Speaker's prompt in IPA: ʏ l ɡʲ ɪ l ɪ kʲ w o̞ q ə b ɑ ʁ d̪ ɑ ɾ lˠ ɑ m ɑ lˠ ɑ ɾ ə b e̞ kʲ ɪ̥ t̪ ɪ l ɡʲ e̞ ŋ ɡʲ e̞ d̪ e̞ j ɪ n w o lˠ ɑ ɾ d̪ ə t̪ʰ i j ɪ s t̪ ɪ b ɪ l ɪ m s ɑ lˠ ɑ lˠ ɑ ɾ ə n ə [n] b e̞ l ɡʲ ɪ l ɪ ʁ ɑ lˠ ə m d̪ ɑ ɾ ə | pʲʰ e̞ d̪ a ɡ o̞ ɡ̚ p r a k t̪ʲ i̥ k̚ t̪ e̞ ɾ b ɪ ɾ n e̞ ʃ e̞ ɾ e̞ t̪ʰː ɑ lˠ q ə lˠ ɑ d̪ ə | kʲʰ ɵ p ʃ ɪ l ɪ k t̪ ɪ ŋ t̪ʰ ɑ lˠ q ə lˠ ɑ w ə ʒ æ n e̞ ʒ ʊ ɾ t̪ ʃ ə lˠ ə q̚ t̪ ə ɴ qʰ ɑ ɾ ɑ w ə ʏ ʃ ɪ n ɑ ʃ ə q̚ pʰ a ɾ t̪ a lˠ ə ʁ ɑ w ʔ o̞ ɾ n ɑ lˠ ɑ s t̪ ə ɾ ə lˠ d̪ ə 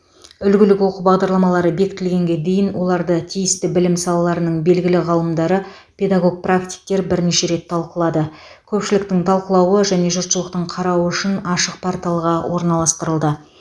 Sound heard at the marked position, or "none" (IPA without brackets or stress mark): ɴ